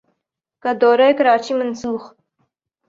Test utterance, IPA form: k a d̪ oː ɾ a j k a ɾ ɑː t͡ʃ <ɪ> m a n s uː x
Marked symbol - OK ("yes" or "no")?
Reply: no